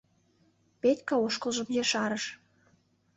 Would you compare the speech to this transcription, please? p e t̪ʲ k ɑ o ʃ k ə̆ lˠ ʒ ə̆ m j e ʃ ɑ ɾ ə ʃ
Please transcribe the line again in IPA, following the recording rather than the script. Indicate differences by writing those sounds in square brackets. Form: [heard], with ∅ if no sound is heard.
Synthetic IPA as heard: p e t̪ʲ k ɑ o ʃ k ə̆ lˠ ʒ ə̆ m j e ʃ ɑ ɾ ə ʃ